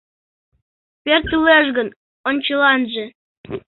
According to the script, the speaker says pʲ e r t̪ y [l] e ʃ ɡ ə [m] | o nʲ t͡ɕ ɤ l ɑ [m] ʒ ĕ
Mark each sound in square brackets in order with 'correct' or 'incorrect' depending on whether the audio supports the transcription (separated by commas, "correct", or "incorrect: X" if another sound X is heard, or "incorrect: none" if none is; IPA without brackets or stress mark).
correct, incorrect: n, incorrect: n